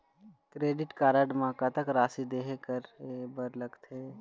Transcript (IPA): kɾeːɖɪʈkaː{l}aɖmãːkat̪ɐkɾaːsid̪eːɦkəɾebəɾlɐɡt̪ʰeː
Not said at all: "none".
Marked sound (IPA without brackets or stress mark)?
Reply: ɾ